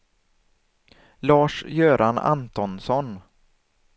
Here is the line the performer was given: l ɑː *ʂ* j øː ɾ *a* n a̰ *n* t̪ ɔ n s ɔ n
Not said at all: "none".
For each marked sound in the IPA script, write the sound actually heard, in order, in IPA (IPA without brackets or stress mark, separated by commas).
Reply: ʂ, a, n